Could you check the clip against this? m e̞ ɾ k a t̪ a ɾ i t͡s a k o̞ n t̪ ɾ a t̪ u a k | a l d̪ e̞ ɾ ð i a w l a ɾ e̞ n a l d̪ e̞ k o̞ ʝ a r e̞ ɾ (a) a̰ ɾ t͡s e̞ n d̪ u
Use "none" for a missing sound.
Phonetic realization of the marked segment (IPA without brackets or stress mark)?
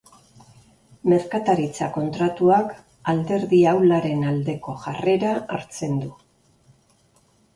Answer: a